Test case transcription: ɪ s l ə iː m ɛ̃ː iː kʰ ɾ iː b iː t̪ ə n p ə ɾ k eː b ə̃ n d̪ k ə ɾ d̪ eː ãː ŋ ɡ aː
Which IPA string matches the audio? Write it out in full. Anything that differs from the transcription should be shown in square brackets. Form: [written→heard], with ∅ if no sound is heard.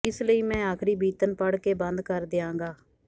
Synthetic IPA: ɪ s l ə iː m ɛ̃ː [iː→aː] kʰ ɾ iː b iː t̪ ə n p ə [ɾ→ɽ] k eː b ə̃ n d̪ k ə ɾ d̪ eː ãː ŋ ɡ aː